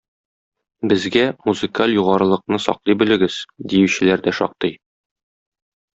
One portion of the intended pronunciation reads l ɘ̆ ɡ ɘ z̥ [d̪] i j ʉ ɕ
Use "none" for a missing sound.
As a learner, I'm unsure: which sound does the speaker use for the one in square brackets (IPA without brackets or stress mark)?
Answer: d̪